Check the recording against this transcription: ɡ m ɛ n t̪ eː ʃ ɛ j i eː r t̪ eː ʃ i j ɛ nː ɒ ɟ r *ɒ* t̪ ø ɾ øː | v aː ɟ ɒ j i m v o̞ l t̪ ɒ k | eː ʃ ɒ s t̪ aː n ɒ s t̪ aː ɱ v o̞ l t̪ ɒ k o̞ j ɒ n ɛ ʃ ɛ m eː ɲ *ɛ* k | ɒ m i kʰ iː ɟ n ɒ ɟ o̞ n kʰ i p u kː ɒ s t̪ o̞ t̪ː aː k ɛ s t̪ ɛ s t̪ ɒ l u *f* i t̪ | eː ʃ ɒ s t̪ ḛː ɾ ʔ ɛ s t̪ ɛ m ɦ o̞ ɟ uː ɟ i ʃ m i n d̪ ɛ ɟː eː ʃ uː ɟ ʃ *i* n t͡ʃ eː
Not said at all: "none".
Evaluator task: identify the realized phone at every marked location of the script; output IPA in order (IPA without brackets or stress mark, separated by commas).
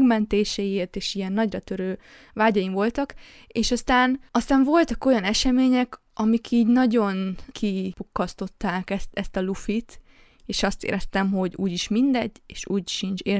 ɒ, ɛ, f, i